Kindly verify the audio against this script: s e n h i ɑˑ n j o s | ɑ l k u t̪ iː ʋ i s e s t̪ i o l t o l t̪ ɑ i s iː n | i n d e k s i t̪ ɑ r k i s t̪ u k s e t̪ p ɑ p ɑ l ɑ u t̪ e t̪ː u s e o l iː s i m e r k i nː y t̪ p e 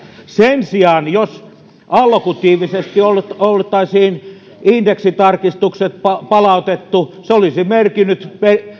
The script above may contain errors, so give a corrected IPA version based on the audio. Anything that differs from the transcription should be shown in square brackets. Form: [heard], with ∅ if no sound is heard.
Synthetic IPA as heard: s e n [s] i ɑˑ n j o s | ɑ l k u t̪ iː ʋ i s e s t̪ i o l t o l t̪ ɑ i s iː n | i n d e k s i t̪ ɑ r k i s t̪ u k s e t̪ p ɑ p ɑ l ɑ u t̪ e t̪ː u s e o l [i] s i m e r k i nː y t̪ p e